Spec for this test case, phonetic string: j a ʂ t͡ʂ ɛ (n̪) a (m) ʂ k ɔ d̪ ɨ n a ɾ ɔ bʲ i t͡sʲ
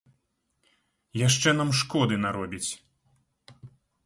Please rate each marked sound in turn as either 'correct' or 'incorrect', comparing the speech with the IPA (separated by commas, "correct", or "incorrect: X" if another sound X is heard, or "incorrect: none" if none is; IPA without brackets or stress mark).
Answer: correct, correct